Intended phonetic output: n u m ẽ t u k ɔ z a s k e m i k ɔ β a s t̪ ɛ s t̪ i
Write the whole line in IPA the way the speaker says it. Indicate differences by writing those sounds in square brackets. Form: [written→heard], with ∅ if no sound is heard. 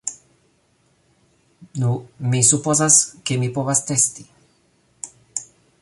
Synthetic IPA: n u m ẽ [t→s] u [k→p] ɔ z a s k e m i [k→p] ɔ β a s t̪ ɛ s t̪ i